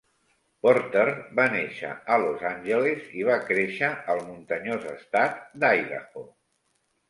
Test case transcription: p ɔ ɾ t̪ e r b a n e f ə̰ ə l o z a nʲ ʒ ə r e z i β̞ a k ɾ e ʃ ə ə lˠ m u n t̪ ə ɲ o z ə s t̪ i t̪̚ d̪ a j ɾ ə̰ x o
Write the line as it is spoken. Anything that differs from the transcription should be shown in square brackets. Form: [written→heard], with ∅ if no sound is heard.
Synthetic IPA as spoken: p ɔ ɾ t̪ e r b a n e [f→ʃ] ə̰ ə l o z a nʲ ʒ ə [r→l] e z i β̞ a k ɾ e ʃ ə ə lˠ m u n t̪ ə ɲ o z ə s t̪ [i→a] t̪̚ d̪ a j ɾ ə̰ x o